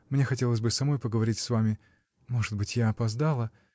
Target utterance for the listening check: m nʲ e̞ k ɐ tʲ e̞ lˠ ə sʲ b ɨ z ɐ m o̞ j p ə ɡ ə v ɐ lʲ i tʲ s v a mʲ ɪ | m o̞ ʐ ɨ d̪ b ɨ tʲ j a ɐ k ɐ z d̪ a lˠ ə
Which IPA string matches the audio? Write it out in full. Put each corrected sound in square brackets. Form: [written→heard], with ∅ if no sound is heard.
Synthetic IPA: m nʲ e̞ [k→x] ɐ tʲ e̞ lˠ ə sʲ b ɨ [z→s] ɐ m o̞ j p ə ɡ ə v ɐ [lʲ→ɾʲ] i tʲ s v a mʲ ɪ | m o̞ ʐ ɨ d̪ b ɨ tʲ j a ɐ [k→p] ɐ z d̪ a lˠ ə

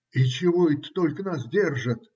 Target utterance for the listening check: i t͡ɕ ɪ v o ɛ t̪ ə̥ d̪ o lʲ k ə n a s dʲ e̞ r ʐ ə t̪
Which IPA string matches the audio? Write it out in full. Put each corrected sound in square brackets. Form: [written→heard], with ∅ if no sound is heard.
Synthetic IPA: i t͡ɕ ɪ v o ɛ t̪ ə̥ [d̪→t̪] o lʲ k ə n a s dʲ e̞ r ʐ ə t̪

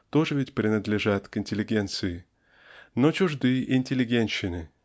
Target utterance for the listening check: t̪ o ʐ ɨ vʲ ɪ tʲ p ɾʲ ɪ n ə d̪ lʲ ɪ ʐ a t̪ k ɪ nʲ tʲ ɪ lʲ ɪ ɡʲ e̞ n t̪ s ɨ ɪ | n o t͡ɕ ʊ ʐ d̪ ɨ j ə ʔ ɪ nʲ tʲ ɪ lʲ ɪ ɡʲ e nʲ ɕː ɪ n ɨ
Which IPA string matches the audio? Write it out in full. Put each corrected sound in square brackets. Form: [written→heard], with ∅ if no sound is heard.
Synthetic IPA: t̪ o ʐ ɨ vʲ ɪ tʲ p ɾʲ ɪ n ə d̪ lʲ ɪ ʐ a t̪ k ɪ nʲ tʲ ɪ lʲ ɪ ɡʲ e̞ n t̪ s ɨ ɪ | n o t͡ɕ ʊ ʐ d̪ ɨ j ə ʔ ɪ nʲ tʲ ɪ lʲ ɪ ɡʲ e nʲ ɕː ɪ n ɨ

